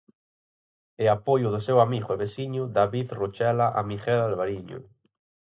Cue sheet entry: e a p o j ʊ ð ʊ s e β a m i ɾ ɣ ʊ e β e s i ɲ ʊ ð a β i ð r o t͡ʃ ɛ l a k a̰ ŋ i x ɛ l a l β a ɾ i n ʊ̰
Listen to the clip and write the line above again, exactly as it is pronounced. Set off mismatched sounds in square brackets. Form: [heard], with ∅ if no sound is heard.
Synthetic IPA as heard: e a p o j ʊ ð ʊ s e [w] a m i [∅] ɣ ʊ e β e s i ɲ ʊ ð a β i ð r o t͡ʃ ɛ l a [ʔ] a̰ [m] i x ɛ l a l β a ɾ i [ɲ] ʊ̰